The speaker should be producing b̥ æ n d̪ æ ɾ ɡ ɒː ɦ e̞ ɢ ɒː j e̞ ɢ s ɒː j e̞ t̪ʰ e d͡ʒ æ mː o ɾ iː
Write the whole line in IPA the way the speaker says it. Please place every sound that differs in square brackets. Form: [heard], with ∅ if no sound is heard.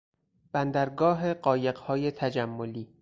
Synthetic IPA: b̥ æ n d̪ æ ɾ ɡ ɒː ɦ e̞ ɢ ɒː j e̞ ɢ [h] ɒː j e̞ t̪ʰ [æ] d͡ʒ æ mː o [l] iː

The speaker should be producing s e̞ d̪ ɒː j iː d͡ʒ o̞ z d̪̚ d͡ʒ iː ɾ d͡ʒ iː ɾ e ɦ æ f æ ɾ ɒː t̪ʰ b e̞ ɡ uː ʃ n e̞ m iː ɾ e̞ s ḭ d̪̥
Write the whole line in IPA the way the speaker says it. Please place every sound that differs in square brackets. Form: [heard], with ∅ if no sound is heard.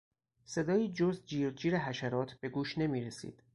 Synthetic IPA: s e̞ d̪ ɒː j iː d͡ʒ o̞ z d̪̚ d͡ʒ iː ɾ d͡ʒ iː ɾ e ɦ æ [ʃ] æ ɾ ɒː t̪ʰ b e̞ ɡ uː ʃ n e̞ m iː ɾ e̞ s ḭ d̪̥

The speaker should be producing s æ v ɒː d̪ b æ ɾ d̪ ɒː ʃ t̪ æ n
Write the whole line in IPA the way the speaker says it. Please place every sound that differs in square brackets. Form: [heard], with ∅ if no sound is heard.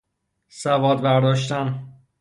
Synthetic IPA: s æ v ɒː d̪ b æ ɾ d̪ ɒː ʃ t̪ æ n

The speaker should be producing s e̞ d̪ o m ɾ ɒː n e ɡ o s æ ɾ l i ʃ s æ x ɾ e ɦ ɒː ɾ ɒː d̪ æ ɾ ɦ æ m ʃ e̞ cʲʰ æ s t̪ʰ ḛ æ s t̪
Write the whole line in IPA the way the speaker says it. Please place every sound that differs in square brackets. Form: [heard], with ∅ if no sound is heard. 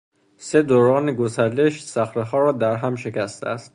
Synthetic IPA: s e̞ d̪ o [∅] ɾ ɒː n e ɡ o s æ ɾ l [e] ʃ s æ x ɾ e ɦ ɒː ɾ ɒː d̪ æ ɾ ɦ æ m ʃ e̞ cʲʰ æ s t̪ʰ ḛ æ s t̪

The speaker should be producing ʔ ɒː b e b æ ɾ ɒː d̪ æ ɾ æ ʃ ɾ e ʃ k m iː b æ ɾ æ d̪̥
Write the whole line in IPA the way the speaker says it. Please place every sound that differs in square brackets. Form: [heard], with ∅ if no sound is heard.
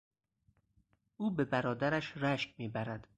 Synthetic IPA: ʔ [uː] b e b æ ɾ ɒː d̪ æ ɾ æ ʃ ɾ [æ] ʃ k m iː b æ ɾ æ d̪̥

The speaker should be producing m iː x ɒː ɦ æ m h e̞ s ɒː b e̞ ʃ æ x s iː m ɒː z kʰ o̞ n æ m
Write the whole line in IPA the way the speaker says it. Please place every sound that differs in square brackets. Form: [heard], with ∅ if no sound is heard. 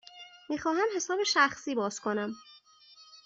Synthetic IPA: m iː x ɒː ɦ æ m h e̞ s ɒː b e̞ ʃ æ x s iː [b] ɒː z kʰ o̞ n æ m

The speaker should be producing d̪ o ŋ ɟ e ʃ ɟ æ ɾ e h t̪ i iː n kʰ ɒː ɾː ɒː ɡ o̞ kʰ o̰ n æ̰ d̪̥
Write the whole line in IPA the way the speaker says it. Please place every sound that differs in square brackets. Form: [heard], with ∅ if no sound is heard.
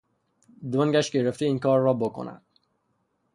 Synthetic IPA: d̪ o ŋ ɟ [æ] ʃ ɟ [e] ɾ e [f] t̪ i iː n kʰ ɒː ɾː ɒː [b] o̞ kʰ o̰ n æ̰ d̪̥

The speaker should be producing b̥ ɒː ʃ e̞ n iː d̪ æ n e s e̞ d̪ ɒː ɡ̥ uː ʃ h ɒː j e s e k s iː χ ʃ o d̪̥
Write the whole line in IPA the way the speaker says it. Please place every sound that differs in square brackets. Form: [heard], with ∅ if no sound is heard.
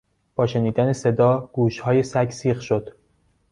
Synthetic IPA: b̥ ɒː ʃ e̞ n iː d̪ æ n e s e̞ d̪ ɒː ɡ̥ uː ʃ h ɒː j e s [æ] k s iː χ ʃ o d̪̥

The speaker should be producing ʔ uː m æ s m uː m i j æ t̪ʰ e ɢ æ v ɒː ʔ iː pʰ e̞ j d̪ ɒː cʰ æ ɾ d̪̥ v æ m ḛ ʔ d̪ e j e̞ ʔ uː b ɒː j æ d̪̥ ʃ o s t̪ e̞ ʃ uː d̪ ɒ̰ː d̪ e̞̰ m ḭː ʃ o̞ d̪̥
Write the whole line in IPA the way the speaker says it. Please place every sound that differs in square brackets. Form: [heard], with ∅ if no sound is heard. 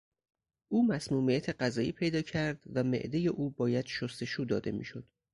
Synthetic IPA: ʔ uː m æ s m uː m i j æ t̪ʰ e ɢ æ [z] ɒː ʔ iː pʰ e̞ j d̪ ɒː cʰ æ ɾ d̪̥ v æ m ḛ ʔ d̪ e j e̞ ʔ uː b ɒː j æ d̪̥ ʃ o s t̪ e̞ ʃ uː d̪ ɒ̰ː d̪ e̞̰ m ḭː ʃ o̞ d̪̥

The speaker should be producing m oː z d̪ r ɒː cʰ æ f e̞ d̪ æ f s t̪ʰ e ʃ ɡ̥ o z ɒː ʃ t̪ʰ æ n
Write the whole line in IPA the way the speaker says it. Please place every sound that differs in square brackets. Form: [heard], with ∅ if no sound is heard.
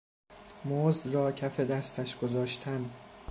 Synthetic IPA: m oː z d̪ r ɒː cʰ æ f e̞ d̪ æ [∅] s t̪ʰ [æ] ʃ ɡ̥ o z ɒː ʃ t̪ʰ æ n

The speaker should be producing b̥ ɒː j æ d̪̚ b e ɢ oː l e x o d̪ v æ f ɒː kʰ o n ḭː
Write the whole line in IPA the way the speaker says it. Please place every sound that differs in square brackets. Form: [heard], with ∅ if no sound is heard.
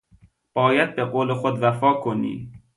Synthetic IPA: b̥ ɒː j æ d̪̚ b e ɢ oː l e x o d̪ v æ f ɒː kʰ o n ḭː

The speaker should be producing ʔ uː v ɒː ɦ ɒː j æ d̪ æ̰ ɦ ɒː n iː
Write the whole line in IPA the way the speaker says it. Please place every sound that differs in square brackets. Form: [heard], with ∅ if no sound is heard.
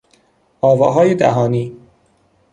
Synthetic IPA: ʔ [ɒː] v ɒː ɦ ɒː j [e] d̪ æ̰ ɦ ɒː n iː

